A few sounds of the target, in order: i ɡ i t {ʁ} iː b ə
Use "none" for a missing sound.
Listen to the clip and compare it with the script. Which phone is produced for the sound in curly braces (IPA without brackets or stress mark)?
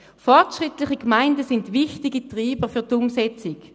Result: ʁ